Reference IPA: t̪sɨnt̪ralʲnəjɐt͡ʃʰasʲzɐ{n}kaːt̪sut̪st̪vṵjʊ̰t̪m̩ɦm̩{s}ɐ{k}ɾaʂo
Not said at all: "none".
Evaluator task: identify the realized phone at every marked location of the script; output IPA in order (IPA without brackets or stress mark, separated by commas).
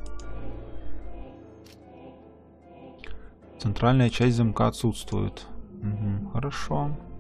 m, x, none